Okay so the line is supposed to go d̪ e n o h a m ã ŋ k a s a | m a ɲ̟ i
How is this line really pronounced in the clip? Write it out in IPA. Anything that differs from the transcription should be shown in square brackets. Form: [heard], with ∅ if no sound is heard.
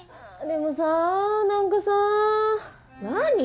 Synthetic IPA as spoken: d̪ e [m] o [s] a [n] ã ŋ k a s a | [n] a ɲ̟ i